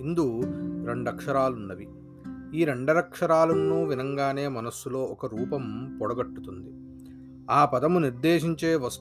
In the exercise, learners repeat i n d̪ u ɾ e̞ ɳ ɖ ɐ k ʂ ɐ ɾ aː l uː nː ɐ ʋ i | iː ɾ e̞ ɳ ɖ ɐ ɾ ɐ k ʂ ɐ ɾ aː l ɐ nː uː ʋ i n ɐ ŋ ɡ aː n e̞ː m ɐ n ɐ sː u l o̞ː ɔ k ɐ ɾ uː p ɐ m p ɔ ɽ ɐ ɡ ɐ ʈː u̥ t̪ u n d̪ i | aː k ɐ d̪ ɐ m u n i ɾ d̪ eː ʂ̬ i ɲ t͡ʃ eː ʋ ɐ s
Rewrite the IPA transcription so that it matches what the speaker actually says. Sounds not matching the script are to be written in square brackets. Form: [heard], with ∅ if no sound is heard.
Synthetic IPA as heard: i n d̪ u ɾ e̞ ɳ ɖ ɐ k ʂ ɐ ɾ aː l [u] nː ɐ ʋ i | iː ɾ e̞ ɳ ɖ ɐ ɾ ɐ k ʂ ɐ ɾ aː l ɐ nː uː ʋ i n ɐ ŋ ɡ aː n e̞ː m ɐ n ɐ sː u l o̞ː ɔ k ɐ ɾ uː p ɐ m p ɔ ɽ ɐ ɡ ɐ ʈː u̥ t̪ u n d̪ i | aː [p] ɐ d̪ ɐ m u n i ɾ d̪ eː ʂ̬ i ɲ t͡ʃ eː ʋ ɐ s